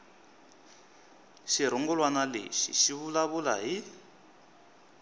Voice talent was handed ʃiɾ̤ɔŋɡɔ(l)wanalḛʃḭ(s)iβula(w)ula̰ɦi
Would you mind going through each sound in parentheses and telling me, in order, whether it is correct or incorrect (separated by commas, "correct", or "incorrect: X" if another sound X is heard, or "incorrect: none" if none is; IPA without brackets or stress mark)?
correct, incorrect: ʃ, incorrect: β